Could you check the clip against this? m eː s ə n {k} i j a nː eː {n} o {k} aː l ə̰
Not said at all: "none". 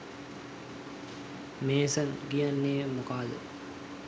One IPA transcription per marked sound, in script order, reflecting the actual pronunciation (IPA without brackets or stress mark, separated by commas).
ɡ, m, k